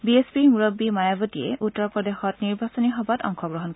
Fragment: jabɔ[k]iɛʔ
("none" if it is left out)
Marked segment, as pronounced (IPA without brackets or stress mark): t